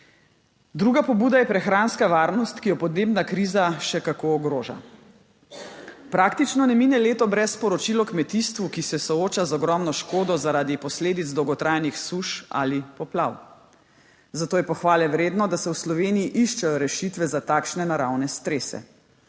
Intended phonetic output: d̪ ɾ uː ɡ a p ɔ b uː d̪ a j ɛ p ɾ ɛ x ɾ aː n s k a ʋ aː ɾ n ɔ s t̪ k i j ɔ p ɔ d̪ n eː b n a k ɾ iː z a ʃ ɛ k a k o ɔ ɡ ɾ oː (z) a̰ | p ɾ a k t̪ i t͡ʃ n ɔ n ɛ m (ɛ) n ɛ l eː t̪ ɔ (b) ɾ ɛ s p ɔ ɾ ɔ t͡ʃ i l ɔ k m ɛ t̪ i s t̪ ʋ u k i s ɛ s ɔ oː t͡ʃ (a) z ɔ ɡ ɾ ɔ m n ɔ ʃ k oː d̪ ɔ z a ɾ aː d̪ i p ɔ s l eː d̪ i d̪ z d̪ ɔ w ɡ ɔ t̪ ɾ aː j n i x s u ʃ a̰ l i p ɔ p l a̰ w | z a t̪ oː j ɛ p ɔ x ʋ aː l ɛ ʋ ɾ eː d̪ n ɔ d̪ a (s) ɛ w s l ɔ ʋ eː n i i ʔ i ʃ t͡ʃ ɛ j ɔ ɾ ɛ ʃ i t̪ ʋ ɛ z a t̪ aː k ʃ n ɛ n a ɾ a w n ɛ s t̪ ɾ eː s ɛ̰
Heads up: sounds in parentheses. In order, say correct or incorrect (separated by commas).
incorrect, incorrect, correct, correct, correct